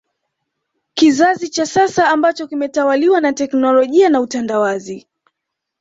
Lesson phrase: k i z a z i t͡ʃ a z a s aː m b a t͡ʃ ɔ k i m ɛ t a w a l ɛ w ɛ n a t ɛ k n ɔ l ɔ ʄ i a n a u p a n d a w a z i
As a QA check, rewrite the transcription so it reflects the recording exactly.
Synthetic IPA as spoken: k i z a z i t͡ʃ a s a s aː m b a t͡ʃ ɔ k i m ɛ t a w a l i w a n a t ɛ k n ɔ l ɔ ʄ i a n a u t a n d a w a z i